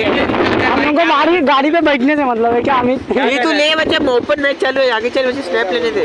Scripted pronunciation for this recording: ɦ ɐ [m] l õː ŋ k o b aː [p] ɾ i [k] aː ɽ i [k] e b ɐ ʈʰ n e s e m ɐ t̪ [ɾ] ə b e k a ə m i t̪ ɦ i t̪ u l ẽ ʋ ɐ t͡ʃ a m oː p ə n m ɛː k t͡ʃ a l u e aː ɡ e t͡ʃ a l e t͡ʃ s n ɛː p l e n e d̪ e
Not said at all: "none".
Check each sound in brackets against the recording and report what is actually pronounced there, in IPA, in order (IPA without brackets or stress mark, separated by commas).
m, none, ɡ, p, l